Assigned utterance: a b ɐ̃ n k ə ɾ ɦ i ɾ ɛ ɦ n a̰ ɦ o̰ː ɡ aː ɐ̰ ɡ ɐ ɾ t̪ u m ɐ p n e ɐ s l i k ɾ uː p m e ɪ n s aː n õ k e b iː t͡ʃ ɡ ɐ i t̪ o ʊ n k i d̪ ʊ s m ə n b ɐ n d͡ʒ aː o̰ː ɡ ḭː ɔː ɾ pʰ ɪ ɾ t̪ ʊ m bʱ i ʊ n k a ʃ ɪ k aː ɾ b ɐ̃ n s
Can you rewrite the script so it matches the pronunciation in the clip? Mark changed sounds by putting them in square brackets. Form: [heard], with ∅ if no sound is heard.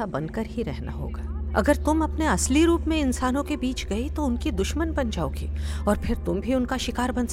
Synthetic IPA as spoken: a b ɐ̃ n k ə ɾ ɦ i ɾ ɛ ɦ n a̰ ɦ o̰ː ɡ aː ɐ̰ ɡ [ə] ɾ t̪ [ʊ] m ɐ p n e ɐ s l i [∅] ɾ uː p m [ẽ] ɪ n s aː n õ k e b iː t͡ʃ ɡ ɐ i t̪ o ʊ n k i d̪ ʊ [ʃ] m ə n b ɐ n d͡ʒ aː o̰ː ɡ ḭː ɔː ɾ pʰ ɪ ɾ t̪ ʊ m bʱ i ʊ n k a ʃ ɪ k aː ɾ b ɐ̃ n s